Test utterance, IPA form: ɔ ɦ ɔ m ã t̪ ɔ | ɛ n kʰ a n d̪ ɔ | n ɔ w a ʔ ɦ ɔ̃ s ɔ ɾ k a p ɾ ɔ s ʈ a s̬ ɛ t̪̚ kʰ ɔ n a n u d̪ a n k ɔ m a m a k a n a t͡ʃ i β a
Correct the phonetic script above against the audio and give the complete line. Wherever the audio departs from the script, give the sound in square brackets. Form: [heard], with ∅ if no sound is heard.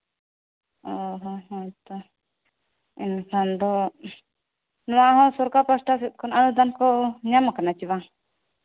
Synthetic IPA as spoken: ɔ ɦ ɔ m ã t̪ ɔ | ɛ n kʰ a n d̪ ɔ | n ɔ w a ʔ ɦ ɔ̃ s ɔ ɾ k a p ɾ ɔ s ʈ a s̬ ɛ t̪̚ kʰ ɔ n a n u d̪ a n k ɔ [ɲ] a m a k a n a t͡ʃ i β a

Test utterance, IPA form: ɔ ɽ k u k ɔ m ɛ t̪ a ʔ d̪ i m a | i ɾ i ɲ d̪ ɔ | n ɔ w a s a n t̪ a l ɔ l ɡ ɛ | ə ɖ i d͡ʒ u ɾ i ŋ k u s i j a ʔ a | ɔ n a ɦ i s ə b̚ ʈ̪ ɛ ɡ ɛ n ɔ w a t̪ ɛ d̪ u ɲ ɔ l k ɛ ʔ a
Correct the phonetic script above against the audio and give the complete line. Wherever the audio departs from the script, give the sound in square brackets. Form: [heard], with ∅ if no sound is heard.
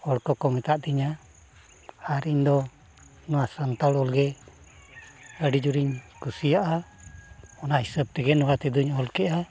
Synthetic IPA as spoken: ɔ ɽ k [ɔ] k ɔ m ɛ t̪ a ʔ d̪ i [ɲ] a | [a] ɾ i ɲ d̪ ɔ | n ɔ w a s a n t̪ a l ɔ l ɡ ɛ | ə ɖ i d͡ʒ u ɾ i [ɲ] k u s i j a ʔ a | ɔ n a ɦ i s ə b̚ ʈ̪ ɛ ɡ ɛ n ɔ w a t̪ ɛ d̪ u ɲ ɔ l k ɛ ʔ a

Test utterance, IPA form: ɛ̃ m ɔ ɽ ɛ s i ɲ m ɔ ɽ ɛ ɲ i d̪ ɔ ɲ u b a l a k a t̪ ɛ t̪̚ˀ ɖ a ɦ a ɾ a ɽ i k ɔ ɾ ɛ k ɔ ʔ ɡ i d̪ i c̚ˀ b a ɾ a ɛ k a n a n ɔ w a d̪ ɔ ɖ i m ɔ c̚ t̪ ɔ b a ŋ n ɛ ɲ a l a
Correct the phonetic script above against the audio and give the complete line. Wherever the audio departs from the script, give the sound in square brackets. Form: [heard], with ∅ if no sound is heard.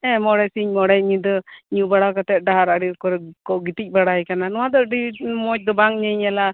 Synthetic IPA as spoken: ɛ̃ m ɔ ɽ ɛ s i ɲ m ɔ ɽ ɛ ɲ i d̪ ɔ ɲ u b a [ɽ] a k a t̪ ɛ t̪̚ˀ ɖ a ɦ a ɾ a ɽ i k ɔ ɾ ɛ k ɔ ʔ ɡ i [t̪] i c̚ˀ b a [ɽ] a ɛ k a n a n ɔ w a d̪ ɔ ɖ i m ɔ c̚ [d̪] ɔ b a ŋ [ɲ] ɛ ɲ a l a

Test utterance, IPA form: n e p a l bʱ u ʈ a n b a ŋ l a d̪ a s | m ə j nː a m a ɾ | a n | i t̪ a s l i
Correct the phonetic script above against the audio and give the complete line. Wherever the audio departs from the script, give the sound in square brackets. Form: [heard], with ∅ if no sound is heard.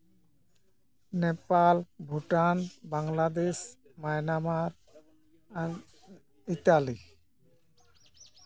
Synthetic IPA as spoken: n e p a l bʱ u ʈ a n b a ŋ l a d̪ [e] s | m [a] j [n] a m a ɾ | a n | i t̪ a [∅] l i

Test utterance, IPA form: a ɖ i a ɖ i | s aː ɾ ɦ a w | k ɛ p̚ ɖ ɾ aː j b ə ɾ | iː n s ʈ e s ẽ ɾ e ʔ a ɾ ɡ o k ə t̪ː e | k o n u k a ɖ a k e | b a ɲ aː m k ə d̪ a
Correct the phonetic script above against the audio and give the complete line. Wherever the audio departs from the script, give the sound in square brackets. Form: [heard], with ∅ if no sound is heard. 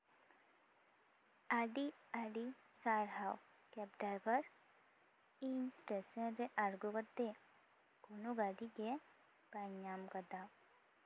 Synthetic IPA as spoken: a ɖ i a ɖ i | s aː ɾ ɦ a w | k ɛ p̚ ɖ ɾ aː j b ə ɾ | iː n s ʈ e s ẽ ɾ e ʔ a ɾ ɡ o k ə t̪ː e | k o n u [ɡ] a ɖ [i] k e | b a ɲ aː m k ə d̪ a

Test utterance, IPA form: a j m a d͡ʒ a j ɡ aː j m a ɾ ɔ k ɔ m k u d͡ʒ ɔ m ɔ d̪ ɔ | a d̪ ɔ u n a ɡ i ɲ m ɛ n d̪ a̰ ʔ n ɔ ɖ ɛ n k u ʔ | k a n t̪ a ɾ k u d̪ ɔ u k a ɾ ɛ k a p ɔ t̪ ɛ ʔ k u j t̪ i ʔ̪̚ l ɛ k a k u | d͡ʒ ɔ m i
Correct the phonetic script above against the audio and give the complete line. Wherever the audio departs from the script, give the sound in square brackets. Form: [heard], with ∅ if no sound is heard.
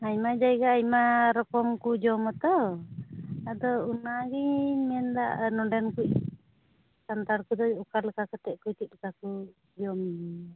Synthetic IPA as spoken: a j m a d͡ʒ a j ɡ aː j m a ɾ ɔ k ɔ m k u d͡ʒ ɔ m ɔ [t̪] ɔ | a d̪ ɔ u n a ɡ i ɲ m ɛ n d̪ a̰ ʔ n ɔ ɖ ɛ n k u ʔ | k a n t̪ a ɾ k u d̪ ɔ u k a [l] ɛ k a [k] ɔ t̪ ɛ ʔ k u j t̪ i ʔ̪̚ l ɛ k a k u | d͡ʒ ɔ m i

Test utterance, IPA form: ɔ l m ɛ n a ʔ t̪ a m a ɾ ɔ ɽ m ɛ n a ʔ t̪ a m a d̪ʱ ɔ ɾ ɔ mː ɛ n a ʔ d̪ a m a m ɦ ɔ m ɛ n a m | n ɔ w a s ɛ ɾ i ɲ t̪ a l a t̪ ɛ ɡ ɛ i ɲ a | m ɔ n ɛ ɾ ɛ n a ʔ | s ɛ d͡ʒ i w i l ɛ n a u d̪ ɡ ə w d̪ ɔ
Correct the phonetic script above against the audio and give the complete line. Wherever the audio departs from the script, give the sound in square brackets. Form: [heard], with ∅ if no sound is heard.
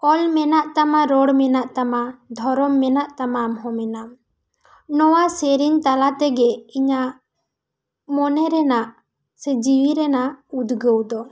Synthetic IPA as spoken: ɔ l m ɛ n a ʔ t̪ a m a ɾ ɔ ɽ m ɛ n a ʔ t̪ a m a d̪ʱ ɔ ɾ ɔ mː ɛ n a ʔ [t̪] a m a m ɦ ɔ m ɛ n a m | n ɔ w a s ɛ ɾ i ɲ t̪ a l a t̪ ɛ ɡ ɛ i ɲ a | m ɔ n ɛ ɾ ɛ n a ʔ | s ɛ d͡ʒ i w i [ɾ] ɛ n a u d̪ ɡ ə w d̪ ɔ

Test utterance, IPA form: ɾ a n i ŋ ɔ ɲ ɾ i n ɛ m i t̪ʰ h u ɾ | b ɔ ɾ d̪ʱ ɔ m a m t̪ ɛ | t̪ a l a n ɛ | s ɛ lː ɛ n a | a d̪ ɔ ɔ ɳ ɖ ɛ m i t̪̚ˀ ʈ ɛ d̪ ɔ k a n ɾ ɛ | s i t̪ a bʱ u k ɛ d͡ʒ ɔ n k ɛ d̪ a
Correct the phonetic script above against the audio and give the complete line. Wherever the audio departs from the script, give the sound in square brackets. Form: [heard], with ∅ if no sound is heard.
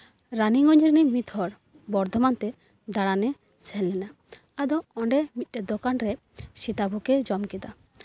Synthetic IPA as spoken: ɾ a n i ŋ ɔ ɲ ɾ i n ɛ m i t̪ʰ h [ɔ] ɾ | b ɔ ɾ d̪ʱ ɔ m a [n] t̪ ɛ | [d̪] a [ɽ] a n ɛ | s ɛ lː ɛ n a | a d̪ ɔ ɔ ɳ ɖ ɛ m i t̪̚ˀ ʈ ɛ d̪ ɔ k a n ɾ ɛ | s i t̪ a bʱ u k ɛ d͡ʒ ɔ [m] k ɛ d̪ a

